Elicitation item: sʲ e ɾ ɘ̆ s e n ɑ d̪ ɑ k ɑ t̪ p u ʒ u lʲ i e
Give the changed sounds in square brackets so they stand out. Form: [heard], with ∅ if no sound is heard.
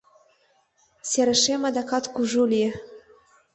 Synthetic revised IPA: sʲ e ɾ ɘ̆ [ʃ] e [m] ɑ d̪ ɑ k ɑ t̪ [k] u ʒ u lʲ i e